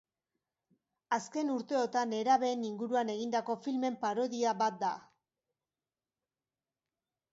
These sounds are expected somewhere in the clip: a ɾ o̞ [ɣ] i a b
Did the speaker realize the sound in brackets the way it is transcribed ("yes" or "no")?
no